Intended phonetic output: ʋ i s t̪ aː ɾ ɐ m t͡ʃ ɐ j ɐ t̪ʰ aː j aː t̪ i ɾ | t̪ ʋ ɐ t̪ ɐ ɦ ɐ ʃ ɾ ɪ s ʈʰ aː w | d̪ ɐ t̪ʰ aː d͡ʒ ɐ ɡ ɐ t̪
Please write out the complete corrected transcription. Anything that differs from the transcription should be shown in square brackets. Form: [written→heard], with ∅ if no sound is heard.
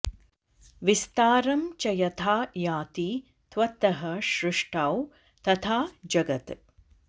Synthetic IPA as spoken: ʋ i s t̪ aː ɾ ɐ m t͡ʃ ɐ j ɐ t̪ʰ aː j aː t̪ i [ɾ→∅] | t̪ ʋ ɐ t̪ ɐ ɦ ɐ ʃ ɾ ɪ [s→ʂ] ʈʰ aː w | [d̪→t̪] ɐ t̪ʰ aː d͡ʒ ɐ ɡ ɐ t̪